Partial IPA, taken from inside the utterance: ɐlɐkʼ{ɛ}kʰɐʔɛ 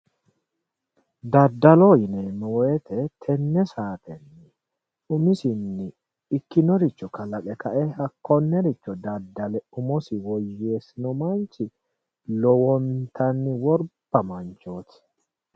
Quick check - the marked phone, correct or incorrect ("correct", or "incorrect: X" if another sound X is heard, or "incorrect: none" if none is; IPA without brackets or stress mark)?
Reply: correct